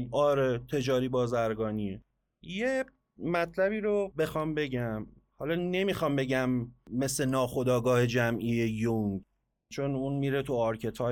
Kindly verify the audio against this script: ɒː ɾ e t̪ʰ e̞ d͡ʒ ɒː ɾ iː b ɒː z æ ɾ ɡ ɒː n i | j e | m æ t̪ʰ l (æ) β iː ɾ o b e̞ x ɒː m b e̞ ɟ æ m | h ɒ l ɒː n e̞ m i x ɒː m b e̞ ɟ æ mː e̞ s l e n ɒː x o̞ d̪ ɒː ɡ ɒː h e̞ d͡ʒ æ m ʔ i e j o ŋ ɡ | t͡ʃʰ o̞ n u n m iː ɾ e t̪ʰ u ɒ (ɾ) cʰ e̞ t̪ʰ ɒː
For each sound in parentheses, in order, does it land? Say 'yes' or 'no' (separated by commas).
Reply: yes, yes